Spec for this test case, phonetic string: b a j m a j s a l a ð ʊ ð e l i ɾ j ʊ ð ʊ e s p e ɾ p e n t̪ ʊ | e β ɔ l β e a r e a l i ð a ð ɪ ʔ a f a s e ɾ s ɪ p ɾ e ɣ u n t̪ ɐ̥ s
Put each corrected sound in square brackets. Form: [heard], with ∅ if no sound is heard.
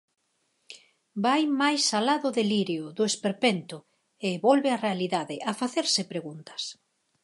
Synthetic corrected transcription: b a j m a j s a l a ð ʊ ð e l i ɾ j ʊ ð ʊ e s p e ɾ p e n t̪ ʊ | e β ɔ l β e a r e a l i ð a ð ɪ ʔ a f a [θ] e ɾ s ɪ p ɾ e ɣ u n t̪ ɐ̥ s